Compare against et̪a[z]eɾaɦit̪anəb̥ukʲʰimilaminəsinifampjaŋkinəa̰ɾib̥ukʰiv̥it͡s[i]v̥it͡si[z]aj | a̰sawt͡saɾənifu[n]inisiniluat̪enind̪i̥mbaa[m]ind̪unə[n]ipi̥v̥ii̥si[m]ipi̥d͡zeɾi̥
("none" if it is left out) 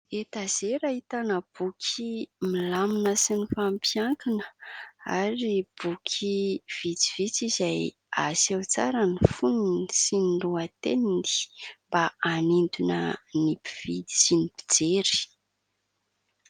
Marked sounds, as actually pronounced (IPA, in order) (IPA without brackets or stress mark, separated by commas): z, i, z, n, n, n, n